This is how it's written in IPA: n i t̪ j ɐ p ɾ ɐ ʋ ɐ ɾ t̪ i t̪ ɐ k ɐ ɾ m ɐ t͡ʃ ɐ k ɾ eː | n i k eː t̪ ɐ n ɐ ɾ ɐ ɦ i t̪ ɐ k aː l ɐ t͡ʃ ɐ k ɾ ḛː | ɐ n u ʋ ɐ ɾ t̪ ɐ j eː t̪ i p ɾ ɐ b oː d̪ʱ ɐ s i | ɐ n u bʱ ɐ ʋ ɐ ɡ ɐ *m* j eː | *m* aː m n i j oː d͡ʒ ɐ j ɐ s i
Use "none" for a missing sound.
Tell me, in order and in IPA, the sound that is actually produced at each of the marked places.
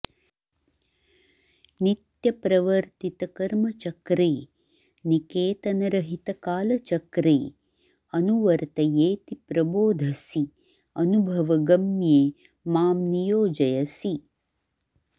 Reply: m, m

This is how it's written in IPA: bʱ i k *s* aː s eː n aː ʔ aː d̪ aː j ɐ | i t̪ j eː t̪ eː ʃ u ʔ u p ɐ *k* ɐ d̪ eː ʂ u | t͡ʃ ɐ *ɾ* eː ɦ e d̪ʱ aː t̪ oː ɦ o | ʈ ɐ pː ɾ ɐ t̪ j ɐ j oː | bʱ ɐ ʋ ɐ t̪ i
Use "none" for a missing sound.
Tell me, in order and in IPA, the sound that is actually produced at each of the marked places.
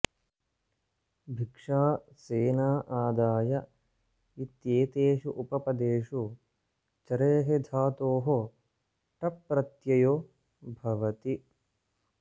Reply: ʂ, p, ɾ

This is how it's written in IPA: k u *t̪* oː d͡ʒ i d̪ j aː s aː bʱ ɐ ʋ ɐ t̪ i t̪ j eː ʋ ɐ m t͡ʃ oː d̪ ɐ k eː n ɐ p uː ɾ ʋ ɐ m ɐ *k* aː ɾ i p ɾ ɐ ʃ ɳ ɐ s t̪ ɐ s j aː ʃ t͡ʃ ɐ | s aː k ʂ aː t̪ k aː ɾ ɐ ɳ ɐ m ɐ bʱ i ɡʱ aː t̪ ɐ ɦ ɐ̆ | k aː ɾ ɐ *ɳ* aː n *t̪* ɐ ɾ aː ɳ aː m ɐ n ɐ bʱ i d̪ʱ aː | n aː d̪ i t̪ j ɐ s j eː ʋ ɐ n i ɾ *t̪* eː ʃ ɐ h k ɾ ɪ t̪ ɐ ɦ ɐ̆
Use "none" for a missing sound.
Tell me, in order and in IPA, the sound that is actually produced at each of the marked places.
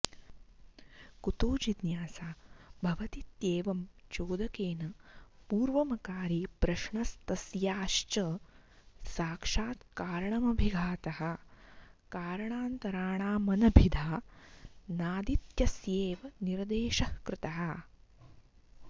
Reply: t̪, k, ɳ, t̪, d̪

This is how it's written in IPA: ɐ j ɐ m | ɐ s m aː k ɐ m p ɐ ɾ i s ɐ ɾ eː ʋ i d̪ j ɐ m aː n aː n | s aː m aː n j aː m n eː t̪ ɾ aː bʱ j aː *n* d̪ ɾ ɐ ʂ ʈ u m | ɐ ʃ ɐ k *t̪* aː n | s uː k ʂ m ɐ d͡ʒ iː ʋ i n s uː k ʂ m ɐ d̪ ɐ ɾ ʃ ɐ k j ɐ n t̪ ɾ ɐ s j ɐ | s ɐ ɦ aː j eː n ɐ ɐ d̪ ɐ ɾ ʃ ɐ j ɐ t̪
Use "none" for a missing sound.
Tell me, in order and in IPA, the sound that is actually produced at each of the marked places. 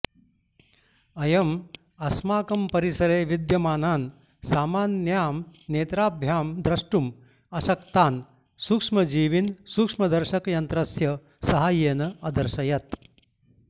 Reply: m, t̪

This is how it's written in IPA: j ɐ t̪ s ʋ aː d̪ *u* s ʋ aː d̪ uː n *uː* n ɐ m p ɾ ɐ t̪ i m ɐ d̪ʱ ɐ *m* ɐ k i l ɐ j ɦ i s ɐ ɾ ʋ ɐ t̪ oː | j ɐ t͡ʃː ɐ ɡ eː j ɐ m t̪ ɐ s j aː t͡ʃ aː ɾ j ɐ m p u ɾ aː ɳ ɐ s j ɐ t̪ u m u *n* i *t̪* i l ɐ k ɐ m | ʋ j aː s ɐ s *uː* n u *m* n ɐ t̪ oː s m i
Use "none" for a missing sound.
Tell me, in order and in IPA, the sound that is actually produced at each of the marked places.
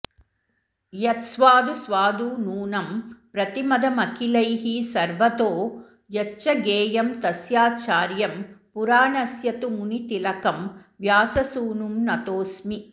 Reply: u, uː, m, n, t̪, uː, m

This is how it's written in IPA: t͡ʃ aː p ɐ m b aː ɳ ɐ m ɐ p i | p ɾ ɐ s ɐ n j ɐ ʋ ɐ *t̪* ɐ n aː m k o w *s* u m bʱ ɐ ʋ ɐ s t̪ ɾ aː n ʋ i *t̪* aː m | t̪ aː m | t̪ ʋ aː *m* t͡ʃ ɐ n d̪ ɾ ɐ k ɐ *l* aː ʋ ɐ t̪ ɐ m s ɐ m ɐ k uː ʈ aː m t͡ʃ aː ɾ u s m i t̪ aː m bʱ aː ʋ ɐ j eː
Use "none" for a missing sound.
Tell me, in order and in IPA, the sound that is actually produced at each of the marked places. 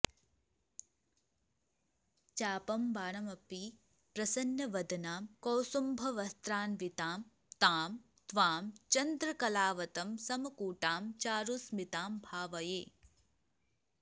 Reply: d̪, s, t̪, m, l

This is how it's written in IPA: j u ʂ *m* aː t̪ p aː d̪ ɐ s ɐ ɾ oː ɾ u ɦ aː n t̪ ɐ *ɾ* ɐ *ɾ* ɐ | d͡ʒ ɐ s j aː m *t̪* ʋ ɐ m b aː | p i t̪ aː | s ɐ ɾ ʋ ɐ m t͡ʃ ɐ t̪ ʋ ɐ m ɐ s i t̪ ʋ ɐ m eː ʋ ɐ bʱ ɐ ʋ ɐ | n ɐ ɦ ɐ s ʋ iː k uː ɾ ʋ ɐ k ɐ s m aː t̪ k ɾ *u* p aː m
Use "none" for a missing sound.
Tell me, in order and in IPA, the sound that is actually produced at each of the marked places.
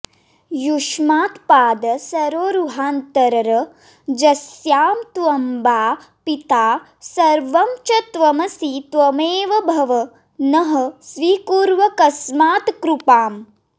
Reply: m, ɾ, ɾ, t̪, u

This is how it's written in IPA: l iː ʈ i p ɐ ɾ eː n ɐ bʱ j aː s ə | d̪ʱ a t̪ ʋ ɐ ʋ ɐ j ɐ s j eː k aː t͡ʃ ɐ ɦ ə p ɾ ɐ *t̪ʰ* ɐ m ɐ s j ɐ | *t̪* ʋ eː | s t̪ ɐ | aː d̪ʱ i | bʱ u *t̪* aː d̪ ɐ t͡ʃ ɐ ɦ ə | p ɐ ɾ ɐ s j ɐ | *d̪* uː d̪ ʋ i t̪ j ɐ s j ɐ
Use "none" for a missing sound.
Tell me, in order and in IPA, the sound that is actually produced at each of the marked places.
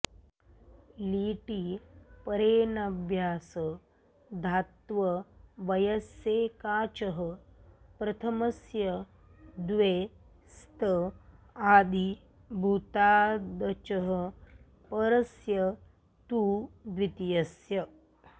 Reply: t̪ʰ, d̪, t̪, t̪

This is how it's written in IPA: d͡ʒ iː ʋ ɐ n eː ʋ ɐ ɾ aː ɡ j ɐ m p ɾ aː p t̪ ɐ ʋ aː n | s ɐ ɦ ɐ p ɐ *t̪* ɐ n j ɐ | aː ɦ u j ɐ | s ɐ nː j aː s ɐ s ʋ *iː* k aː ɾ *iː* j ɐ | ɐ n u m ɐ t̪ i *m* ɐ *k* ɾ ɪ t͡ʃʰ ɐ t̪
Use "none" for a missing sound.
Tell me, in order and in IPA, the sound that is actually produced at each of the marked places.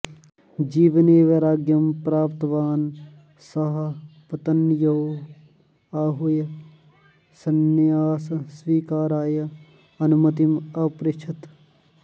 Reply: t̪, iː, aː, m, p

